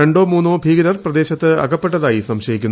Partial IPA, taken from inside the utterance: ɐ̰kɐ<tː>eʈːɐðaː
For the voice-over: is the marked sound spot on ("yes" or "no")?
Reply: no